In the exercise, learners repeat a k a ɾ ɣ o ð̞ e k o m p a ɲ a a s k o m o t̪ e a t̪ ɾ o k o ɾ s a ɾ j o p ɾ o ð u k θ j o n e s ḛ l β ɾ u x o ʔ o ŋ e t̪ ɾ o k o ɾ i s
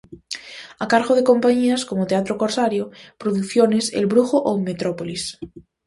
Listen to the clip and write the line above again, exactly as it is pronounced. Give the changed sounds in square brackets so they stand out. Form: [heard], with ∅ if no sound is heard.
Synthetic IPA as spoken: a k a ɾ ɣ o ð̞ e k o m p a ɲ [i] a s k o m o t̪ e a t̪ ɾ o k o ɾ s a ɾ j o p ɾ o ð u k θ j o n e s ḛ l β ɾ u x o ʔ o [m] e t̪ ɾ o [p] o [l] i s